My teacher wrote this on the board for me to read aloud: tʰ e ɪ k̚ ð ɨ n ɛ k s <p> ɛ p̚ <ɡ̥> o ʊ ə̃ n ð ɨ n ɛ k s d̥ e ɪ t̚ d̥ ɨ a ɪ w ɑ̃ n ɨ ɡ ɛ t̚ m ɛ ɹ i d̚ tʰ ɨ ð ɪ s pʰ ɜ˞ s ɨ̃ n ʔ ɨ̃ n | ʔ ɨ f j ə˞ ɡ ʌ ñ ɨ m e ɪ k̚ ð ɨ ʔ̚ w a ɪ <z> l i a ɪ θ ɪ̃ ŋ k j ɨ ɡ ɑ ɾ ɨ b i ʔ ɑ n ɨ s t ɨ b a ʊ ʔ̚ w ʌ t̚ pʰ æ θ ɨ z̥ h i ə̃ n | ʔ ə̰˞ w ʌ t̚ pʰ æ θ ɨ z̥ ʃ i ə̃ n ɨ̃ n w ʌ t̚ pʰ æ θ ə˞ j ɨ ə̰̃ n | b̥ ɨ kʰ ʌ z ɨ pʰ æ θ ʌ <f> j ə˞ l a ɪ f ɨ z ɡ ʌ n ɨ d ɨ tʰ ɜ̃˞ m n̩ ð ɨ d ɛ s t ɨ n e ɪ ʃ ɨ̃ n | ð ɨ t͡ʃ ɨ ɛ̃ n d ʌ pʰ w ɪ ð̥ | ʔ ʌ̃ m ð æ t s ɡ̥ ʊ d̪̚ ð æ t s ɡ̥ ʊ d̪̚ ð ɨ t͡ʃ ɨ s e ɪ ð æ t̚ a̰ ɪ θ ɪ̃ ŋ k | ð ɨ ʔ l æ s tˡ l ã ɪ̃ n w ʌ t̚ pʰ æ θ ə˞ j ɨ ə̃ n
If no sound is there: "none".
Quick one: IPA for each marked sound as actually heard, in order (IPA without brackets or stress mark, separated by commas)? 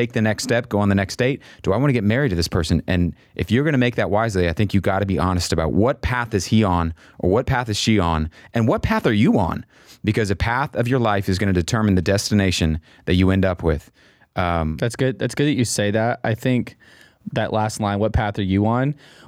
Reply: t, ɡ̥, z, v